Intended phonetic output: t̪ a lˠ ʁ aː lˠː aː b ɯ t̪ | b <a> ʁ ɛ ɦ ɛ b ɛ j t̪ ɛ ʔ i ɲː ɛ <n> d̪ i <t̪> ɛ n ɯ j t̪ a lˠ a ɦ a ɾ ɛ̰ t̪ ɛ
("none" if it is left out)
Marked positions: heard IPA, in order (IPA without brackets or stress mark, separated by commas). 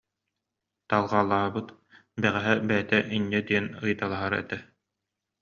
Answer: ɛ, none, none